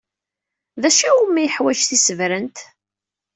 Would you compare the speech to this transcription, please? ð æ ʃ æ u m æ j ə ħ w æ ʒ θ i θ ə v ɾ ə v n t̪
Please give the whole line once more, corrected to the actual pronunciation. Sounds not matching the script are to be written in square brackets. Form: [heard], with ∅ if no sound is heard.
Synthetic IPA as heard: ð æ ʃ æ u m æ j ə ħ w æ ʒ θ i [s] ə v ɾ ə [∅] n t̪